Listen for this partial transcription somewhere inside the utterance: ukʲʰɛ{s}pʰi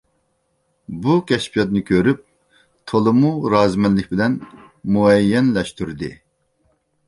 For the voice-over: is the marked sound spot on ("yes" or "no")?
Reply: no